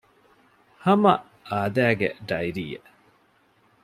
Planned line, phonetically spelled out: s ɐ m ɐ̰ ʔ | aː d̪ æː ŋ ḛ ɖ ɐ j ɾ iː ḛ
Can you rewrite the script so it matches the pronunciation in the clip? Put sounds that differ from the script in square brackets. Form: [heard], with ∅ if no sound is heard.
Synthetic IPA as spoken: [h] ɐ m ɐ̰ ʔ | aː d̪ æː [ɡ] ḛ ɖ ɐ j ɾ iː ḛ